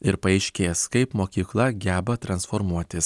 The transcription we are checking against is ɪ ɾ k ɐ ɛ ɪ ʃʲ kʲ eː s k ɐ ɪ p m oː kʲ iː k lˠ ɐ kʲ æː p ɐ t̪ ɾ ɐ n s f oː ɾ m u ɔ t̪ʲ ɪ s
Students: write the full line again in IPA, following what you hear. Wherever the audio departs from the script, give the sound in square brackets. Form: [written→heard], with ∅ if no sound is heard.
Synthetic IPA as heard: ɪ ɾ [k→p] ɐ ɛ ɪ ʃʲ kʲ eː s k ɐ ɪ p m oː kʲ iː k lˠ ɐ [kʲ→ɡʲ] æː [p→b] ɐ t̪ ɾ ɐ n s f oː ɾ m u ɔ t̪ʲ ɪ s